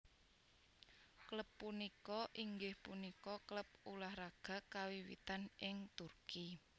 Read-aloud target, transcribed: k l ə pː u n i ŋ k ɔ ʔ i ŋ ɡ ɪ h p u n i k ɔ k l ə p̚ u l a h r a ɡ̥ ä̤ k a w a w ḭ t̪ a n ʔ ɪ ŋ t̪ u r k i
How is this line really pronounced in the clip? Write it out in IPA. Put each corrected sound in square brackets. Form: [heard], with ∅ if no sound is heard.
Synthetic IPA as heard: k l ə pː u n i [∅] k ɔ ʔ i ŋ ɡ ɪ h p u n i k ɔ k l ə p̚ u l a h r a ɡ̥ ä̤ k a w [i] w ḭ t̪ a n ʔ ɪ ŋ t̪ u r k i